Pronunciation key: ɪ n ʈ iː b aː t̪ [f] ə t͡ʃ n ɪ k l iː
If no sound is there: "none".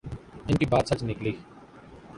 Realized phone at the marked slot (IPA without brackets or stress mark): s